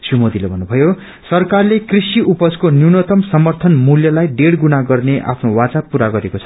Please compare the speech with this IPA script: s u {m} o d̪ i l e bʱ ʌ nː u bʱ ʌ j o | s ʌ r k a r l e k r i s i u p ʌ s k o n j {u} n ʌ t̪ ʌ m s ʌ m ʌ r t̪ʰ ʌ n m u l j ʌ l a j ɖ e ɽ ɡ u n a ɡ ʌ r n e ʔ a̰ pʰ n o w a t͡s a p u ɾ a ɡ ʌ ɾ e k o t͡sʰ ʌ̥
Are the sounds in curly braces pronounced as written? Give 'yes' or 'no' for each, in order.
yes, yes

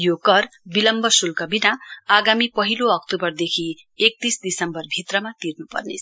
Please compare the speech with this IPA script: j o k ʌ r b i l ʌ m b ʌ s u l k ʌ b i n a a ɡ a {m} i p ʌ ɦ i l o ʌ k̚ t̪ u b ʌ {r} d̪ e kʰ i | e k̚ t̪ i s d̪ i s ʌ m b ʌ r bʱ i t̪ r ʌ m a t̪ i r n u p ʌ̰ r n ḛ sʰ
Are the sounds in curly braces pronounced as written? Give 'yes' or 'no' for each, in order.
yes, yes

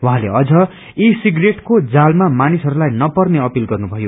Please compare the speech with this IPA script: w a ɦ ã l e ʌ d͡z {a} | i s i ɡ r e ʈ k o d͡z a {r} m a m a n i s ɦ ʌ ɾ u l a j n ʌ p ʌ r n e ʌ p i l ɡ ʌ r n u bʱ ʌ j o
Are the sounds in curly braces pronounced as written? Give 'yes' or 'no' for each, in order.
no, no

